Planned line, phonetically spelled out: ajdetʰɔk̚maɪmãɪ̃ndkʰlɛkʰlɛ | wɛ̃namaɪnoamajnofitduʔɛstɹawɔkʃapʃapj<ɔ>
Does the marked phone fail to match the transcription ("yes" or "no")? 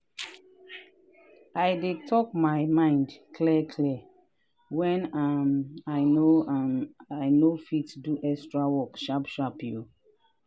yes